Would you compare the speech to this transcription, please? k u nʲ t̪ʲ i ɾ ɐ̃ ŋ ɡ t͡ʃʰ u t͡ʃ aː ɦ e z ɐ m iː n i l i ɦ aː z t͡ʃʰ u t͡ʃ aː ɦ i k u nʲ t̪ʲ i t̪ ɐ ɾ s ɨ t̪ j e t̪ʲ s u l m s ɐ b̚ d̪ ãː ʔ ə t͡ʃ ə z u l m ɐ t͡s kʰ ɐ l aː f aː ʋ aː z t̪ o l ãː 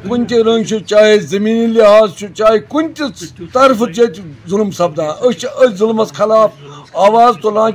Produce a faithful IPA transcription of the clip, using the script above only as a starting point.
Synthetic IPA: k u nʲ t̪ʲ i ɾ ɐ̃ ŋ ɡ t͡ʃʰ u t͡ʃ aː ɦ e z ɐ m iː n i l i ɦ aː z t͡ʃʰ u t͡ʃ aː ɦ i k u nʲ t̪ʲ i t̪ ɐ ɾ f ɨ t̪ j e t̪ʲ z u l m s ɐ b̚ d̪ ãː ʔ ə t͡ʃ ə z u l m ɐ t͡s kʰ ɐ l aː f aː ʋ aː z t̪ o l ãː